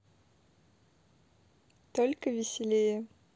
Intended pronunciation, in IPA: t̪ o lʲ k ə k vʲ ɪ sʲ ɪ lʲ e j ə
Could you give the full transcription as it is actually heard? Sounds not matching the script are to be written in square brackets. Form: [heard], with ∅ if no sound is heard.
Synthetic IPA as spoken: t̪ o lʲ k ə [∅] vʲ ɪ sʲ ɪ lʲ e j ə